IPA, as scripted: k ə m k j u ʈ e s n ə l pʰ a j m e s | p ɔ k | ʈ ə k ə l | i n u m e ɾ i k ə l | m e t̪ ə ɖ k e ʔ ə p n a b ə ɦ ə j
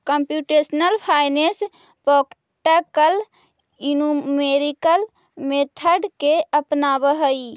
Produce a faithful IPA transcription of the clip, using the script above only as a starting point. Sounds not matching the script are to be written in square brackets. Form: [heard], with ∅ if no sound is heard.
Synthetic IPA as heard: k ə m [p] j u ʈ e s n ə l pʰ a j [n] e s | p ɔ k | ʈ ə k ə l | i n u m e ɾ i k ə l | m e [t̪ʰ] ə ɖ k e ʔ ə p n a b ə ɦ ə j